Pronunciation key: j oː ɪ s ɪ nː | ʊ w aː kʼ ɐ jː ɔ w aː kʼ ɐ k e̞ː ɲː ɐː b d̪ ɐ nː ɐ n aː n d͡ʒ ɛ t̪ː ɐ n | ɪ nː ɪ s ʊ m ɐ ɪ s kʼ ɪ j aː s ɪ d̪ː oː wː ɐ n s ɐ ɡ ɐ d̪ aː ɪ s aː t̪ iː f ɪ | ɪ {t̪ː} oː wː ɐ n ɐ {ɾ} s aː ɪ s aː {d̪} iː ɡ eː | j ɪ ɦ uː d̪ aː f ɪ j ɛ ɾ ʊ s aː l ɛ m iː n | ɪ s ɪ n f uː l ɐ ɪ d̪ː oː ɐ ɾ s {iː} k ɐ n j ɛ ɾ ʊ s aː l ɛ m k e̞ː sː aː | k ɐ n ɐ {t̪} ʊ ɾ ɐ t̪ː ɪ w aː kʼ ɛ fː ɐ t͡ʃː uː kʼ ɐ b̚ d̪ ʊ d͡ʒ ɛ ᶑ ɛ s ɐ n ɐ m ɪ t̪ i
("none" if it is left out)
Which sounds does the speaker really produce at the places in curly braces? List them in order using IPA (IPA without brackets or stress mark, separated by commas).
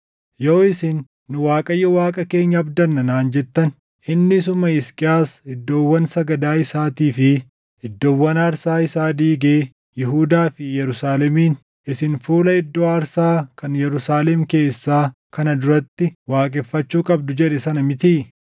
d̪ː, ɾ, d̪, aː, d̪